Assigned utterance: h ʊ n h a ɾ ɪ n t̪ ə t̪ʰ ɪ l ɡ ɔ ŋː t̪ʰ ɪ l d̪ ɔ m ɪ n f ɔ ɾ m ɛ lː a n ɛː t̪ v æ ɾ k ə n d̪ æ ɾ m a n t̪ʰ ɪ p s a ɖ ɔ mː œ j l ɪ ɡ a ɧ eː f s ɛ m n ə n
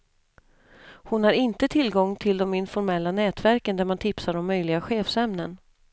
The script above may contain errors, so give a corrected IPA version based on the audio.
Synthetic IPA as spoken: h ʊ n h a ɾ ɪ n t̪ ə t̪ʰ ɪ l ɡ ɔ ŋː t̪ʰ ɪ l d̪ ɔ m ɪ n f ɔ ɾ m ɛ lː a n ɛː t̪ v æ ɾ k ə n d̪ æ ɾ m a n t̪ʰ ɪ p s a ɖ ɔ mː œ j l ɪ ɡ a ɧ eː f s ɛ m n ə n